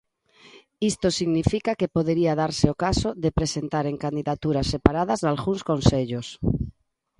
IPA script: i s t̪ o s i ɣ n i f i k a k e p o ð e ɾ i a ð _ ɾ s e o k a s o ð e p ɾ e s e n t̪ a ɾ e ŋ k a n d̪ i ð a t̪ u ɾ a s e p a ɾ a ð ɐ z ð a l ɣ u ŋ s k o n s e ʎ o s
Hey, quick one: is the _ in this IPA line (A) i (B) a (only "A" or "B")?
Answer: B